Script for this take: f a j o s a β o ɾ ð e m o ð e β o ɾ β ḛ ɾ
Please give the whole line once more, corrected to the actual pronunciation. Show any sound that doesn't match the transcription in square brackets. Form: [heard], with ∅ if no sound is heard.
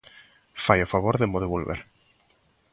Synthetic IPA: f a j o [f] a β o ɾ ð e m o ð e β o [l] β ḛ ɾ